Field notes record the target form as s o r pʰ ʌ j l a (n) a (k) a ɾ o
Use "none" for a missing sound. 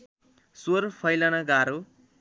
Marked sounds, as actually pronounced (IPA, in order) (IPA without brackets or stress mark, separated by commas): n, ɡ